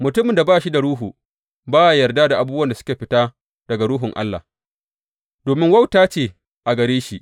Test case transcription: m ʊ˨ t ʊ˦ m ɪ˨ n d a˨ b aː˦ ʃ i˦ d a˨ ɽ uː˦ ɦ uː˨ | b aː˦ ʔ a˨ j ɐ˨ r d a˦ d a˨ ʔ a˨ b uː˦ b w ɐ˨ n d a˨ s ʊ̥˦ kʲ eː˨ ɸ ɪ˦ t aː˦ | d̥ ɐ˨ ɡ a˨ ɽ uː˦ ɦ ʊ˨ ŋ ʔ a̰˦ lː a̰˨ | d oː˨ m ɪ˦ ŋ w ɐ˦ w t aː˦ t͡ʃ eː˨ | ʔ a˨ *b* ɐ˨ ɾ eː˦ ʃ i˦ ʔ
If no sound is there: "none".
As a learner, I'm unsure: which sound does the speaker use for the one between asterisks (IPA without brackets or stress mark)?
ɡ